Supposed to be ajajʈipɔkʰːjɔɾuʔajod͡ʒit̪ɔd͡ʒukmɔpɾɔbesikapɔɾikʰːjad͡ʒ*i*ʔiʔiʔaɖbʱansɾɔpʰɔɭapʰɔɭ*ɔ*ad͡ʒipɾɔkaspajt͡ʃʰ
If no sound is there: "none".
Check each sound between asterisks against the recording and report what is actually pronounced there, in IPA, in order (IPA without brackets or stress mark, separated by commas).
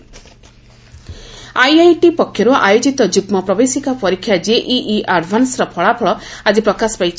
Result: e, ɔ